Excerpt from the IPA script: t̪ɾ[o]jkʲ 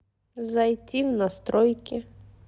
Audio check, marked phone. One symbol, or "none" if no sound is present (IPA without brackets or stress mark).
ɔ